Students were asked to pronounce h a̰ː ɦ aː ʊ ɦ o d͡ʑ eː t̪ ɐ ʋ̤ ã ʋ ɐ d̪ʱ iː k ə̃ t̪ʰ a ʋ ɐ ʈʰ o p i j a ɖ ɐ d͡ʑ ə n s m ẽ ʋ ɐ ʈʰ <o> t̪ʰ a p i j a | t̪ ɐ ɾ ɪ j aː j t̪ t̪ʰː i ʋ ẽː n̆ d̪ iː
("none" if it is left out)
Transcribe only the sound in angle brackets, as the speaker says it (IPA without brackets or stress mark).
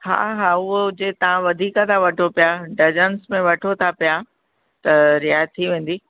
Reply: o